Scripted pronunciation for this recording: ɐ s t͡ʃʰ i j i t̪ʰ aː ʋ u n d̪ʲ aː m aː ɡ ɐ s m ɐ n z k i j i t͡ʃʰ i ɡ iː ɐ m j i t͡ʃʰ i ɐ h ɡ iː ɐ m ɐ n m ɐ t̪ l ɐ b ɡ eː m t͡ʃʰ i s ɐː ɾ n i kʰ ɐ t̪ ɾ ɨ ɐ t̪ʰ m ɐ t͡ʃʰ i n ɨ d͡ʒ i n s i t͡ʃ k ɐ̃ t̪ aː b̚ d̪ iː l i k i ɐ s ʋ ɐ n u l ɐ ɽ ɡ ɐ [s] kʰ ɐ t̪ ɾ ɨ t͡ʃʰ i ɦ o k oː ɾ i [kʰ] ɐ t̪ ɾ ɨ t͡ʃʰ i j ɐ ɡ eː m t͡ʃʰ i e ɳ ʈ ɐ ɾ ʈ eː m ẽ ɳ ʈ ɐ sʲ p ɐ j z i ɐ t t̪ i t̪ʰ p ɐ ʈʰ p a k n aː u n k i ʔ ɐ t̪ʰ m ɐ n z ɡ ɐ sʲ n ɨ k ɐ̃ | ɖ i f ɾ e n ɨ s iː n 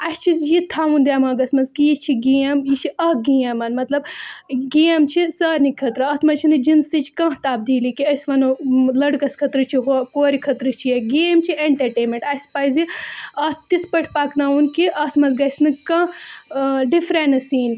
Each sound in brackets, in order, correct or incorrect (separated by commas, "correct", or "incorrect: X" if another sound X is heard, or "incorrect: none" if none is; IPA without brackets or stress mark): correct, correct